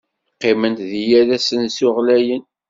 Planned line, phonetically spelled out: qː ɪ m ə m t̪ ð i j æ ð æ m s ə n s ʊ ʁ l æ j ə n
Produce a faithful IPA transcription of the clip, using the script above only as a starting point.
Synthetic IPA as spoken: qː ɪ m ə n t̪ ð i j æ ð æ s ə n s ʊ ʁ l æ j ə n

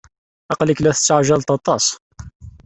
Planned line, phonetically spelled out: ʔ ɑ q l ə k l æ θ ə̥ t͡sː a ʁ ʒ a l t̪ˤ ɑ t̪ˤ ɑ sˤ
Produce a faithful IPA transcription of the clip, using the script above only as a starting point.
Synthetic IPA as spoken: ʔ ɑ q l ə k l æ θ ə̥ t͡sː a ʕ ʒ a l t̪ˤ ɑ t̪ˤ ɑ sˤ

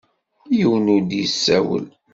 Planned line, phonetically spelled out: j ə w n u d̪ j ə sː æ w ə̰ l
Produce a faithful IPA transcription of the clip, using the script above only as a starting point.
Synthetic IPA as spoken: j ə w n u d̪ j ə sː æ w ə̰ l

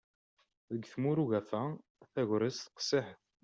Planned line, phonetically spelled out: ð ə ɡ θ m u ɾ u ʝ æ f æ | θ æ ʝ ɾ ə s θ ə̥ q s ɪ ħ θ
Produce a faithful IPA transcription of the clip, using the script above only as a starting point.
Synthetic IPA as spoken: ð ə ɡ θ m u ɾ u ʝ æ f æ | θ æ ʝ ɾ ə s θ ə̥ q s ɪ ħ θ

